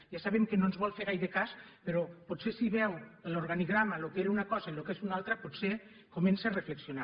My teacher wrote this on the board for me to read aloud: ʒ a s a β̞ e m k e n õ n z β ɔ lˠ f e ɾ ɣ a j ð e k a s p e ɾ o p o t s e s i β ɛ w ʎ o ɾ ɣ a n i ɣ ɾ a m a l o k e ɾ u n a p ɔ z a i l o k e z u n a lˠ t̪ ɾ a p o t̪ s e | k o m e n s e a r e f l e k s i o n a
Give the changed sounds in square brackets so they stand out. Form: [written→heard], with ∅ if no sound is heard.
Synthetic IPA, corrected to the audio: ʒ a s a β̞ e m k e n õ n z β ɔ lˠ f e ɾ ɣ a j ð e k a s p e ɾ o p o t s e s i β ɛ w [ʎ→l] o ɾ ɣ a n i ɣ ɾ a m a l o k e ɾ u n a [p→k] ɔ z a i l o k e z u n a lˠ t̪ ɾ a p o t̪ s e | k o m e n s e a r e f l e k s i o n a